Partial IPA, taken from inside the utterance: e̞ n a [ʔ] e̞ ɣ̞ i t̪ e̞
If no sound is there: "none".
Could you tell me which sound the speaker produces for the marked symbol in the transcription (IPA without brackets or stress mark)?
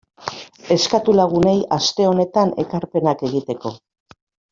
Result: k